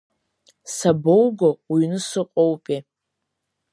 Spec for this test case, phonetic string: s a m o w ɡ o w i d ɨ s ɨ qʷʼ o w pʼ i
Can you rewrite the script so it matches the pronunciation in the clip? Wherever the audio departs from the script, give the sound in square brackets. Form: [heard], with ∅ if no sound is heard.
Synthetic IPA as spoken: s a [b] o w ɡ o w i [n] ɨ s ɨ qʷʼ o w pʼ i